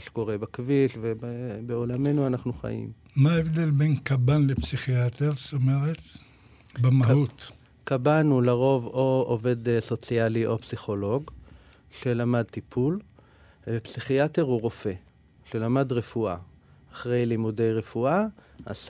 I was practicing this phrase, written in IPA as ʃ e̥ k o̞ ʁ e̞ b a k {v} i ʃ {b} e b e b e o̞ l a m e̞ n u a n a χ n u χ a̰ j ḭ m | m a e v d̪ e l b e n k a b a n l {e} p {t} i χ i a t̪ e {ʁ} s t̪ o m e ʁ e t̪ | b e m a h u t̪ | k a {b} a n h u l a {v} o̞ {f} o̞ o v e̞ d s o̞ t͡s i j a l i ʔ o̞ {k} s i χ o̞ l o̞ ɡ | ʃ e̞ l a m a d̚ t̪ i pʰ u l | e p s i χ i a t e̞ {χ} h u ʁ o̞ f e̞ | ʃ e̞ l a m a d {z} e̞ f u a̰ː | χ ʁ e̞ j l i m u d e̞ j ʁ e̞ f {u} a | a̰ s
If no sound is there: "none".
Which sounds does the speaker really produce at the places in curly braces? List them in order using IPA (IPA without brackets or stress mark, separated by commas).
v, v, e, s, ʁ, b, ʁ, v, p, ʁ, ʁ, u